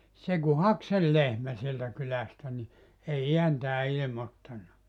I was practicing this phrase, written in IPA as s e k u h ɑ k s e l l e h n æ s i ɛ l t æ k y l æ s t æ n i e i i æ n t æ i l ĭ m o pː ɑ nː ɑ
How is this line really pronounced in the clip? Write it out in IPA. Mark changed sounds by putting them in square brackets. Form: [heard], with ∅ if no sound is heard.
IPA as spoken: s e k u h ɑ k s e l l e h [m] æ s i [e] l t æ k y l æ s t æ n i e i i æ n t [æː] i l ĭ m o [tː] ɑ nː ɑ